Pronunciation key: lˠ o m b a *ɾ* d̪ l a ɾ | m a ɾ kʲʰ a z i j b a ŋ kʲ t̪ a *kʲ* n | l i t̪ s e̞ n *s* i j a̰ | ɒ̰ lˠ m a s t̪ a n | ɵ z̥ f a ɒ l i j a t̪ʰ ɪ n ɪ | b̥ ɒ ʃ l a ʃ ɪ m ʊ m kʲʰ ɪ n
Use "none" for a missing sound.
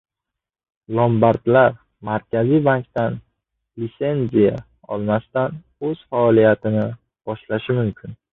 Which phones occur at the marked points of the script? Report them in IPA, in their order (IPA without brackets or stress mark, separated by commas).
ɾ, none, z